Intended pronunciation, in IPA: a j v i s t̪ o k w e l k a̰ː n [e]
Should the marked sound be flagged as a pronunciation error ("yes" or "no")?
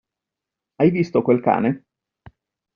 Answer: no